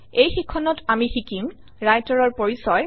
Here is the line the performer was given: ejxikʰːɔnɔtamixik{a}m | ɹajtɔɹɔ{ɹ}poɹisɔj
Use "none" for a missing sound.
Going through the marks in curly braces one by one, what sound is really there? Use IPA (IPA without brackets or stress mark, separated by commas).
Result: i, ɹ